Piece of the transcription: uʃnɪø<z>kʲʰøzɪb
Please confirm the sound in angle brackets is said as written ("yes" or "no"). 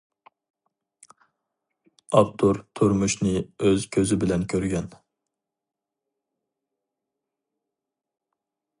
yes